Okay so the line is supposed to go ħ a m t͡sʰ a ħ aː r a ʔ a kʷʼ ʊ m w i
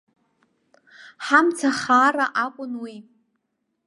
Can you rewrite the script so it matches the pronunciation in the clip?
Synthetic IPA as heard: ħ a m t͡sʰ a χ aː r a ʔ a kʷʼ ʊ n w i